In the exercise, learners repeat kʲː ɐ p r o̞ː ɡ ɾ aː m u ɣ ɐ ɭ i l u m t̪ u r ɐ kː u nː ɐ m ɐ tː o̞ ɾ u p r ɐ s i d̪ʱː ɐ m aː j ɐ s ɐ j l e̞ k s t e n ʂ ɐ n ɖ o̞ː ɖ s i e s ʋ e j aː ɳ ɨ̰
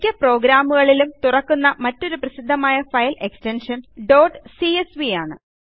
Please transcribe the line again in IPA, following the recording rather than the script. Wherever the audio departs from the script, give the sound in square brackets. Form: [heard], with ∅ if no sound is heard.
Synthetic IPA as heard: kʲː ɐ p r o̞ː ɡ ɾ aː m u ɣ ɐ ɭ i l u m t̪ u r ɐ kː u nː ɐ m ɐ tː o̞ ɾ u p r ɐ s i d̪ʱː ɐ m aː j ɐ [f] ɐ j l e̞ k s t e n ʂ ɐ n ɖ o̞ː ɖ s i e s ʋ [i] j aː ɳ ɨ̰

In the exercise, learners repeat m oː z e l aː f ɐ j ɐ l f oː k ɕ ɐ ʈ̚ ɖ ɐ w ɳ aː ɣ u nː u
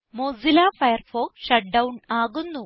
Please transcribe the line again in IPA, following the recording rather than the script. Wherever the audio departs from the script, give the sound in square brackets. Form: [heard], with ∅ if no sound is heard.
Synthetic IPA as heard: m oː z [i] l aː f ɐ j ɐ [r] f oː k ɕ ɐ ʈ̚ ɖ ɐ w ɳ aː ɣ u nː u

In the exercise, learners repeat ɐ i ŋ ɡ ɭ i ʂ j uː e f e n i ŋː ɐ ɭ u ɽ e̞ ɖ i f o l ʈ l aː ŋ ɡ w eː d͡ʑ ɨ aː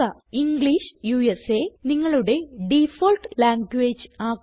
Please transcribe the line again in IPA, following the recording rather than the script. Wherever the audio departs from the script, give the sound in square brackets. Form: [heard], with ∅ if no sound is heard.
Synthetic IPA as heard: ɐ i ŋ ɡ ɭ i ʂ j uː e [s] e n i ŋː ɐ ɭ u ɽ e̞ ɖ i f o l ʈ l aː ŋ ɡ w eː d͡ʑ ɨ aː

